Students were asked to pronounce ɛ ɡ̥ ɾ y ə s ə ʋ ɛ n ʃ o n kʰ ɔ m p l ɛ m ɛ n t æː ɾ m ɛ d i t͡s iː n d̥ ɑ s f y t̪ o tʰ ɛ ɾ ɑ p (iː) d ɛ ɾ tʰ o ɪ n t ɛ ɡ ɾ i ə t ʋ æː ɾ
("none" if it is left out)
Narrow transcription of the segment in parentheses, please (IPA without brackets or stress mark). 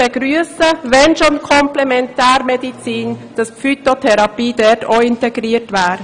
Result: iː